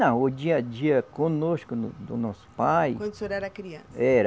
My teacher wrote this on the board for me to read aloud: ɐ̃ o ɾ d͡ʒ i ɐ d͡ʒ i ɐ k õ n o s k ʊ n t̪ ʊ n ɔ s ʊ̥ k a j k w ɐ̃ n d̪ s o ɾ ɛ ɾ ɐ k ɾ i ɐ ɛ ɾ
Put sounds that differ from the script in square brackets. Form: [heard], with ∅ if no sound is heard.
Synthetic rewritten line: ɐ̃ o [∅] d͡ʒ i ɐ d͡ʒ i ɐ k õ n o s k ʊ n [d̪] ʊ n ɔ s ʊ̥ [p] a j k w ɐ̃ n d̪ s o ɾ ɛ ɾ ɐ k ɾ i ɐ ɛ ɾ